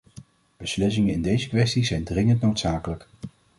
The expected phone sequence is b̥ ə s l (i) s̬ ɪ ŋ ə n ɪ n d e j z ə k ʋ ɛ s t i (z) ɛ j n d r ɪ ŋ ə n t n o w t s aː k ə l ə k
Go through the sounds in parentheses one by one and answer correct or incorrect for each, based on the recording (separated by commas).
incorrect, correct